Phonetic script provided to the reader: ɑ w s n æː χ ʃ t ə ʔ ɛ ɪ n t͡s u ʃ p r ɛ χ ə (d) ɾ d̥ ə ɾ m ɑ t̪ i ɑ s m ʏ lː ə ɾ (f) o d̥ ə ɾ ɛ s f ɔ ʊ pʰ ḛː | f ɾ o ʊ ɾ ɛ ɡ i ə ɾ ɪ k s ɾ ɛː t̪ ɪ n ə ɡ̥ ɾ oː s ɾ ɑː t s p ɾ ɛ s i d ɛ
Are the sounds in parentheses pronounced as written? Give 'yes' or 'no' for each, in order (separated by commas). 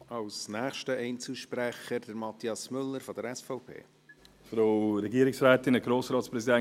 no, yes